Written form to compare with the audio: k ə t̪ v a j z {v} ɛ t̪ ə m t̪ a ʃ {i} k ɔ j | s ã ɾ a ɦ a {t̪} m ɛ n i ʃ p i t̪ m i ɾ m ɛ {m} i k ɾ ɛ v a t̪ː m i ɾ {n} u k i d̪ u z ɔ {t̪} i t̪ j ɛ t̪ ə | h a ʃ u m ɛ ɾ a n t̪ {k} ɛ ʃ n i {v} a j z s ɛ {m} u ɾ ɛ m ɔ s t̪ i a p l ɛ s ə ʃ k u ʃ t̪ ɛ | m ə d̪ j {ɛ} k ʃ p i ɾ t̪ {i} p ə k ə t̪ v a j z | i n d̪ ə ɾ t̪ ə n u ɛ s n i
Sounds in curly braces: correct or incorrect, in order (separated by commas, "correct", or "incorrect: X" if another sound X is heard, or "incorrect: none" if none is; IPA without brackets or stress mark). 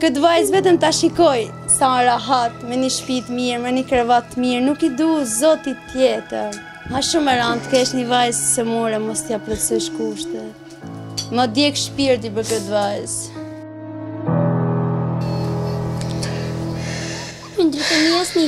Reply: correct, correct, correct, incorrect: n, correct, correct, correct, correct, correct, correct, correct